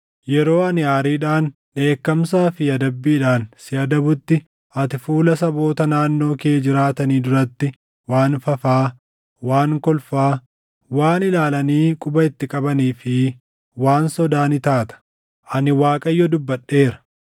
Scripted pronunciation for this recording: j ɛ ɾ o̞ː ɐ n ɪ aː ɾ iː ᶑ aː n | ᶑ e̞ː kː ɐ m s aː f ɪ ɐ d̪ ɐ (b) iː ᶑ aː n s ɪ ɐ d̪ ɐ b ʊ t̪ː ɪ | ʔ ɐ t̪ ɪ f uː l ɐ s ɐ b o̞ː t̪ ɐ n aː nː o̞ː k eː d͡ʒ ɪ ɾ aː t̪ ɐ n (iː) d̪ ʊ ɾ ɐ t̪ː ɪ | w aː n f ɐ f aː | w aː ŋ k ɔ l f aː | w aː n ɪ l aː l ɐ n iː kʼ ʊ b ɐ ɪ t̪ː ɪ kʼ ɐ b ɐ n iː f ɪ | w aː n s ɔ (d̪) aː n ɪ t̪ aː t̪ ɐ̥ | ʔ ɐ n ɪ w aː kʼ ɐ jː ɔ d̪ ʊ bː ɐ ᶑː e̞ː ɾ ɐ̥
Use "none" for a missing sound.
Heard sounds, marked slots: bː, iː, d̪

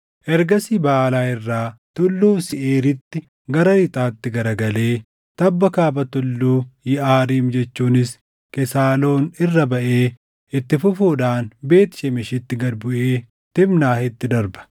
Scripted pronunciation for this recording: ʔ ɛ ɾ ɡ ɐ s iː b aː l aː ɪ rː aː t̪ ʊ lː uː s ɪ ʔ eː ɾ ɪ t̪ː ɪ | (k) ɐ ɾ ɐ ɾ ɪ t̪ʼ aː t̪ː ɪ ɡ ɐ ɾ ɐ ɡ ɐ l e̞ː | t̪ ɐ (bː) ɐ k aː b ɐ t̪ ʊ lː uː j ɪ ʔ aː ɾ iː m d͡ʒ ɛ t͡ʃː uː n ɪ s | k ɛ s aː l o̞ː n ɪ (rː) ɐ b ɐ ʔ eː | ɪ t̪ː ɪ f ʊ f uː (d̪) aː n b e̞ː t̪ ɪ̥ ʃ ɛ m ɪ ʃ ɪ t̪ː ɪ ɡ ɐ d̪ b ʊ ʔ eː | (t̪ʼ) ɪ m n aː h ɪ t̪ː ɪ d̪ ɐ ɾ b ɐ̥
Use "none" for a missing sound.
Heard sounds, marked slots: ɡ, bː, rː, d̪, t̪

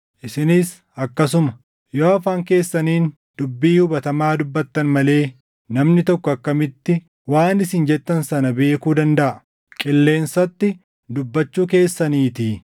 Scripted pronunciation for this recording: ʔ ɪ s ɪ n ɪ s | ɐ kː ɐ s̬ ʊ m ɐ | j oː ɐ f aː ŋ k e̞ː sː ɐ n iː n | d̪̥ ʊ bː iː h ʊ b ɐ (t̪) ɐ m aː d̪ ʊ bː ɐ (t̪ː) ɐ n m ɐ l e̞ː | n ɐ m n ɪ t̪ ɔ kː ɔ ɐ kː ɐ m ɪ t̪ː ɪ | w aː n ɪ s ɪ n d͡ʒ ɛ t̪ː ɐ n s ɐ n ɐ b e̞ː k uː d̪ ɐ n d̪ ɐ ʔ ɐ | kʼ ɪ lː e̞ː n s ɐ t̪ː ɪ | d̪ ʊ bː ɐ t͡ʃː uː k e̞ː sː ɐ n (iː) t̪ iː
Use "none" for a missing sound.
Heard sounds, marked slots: t̪, t̪ː, iː

